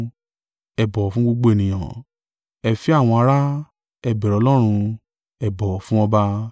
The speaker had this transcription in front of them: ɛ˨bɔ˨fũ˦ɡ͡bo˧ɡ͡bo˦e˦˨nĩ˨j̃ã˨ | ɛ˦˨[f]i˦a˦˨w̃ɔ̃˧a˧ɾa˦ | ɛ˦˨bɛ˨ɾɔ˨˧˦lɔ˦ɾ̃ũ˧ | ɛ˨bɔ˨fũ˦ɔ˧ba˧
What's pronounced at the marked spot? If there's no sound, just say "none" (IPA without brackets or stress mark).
f